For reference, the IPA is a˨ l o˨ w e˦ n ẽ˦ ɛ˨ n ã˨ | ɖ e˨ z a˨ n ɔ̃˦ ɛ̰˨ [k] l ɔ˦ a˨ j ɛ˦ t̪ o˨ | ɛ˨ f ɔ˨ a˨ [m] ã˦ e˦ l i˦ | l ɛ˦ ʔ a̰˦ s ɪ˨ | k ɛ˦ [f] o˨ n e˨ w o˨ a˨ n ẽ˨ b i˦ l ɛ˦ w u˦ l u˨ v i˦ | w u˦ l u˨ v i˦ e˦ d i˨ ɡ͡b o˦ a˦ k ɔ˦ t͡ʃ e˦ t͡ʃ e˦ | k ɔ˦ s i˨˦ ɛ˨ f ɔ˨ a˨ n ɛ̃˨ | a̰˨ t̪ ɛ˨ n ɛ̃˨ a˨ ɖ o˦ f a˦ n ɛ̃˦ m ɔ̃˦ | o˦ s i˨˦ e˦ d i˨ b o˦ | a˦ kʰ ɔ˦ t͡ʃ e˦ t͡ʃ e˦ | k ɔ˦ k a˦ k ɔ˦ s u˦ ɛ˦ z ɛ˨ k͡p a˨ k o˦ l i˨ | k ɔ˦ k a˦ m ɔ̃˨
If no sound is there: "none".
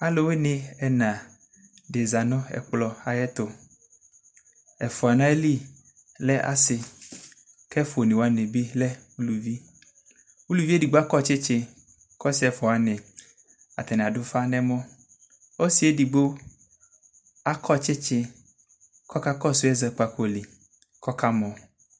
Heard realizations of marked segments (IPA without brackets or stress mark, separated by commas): k͡p, n, f